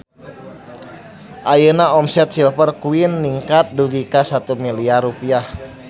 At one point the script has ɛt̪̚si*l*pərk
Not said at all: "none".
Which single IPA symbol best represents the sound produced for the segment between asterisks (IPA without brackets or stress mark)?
l